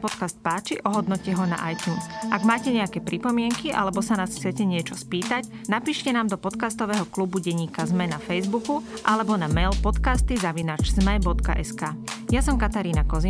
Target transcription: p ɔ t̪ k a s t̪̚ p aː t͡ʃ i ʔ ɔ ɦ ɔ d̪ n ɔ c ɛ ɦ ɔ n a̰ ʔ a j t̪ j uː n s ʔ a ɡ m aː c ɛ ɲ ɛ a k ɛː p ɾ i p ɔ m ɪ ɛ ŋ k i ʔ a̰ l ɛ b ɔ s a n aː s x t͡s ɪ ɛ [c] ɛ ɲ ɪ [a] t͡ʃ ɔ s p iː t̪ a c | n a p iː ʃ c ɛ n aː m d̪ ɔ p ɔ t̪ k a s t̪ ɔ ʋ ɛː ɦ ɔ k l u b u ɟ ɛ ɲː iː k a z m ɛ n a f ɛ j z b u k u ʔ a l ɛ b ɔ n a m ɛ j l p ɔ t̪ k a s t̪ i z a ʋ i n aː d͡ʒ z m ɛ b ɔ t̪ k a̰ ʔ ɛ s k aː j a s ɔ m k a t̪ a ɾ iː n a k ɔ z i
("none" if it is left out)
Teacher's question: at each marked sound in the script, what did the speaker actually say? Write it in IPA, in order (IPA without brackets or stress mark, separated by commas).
c, ɛ